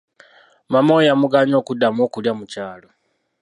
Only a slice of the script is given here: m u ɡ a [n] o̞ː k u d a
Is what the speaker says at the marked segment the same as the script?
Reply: no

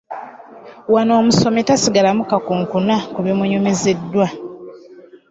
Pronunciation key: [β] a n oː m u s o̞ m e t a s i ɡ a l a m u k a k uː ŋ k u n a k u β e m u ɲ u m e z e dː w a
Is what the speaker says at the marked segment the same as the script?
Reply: no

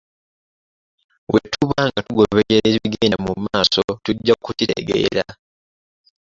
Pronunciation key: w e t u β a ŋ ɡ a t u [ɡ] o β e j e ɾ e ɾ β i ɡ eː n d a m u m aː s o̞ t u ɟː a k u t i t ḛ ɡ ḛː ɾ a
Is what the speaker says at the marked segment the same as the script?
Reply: yes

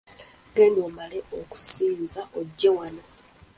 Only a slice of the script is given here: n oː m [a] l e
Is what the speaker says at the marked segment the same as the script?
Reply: yes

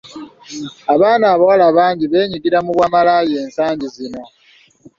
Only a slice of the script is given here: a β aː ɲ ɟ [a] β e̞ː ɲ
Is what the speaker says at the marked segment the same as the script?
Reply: no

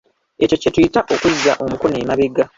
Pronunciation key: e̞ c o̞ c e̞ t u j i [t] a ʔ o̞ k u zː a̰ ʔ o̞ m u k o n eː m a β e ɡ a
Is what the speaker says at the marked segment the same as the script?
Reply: yes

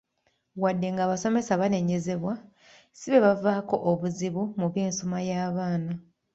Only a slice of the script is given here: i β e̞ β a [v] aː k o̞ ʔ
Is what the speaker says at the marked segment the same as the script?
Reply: yes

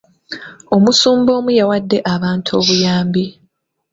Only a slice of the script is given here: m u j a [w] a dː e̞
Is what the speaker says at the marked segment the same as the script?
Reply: yes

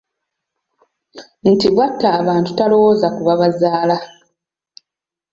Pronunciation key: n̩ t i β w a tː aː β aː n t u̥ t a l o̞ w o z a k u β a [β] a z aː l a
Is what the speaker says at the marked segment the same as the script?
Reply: yes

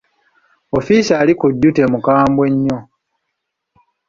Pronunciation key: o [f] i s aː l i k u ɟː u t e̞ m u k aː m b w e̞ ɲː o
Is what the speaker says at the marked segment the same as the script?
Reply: yes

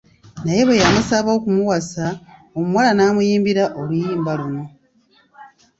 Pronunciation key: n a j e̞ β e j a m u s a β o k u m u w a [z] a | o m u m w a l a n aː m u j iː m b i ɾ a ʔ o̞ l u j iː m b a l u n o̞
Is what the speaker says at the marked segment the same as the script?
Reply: no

